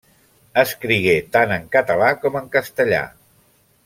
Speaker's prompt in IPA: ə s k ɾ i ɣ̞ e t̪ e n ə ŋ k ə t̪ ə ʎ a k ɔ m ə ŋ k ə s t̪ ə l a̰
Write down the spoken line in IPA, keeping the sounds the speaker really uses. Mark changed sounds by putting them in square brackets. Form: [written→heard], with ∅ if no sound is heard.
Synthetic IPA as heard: ə s k ɾ i ɣ̞ e t̪ [e→a] n ə ŋ k ə t̪ ə [ʎ→l] a k ɔ m ə ŋ k ə s t̪ ə [l→ʎ] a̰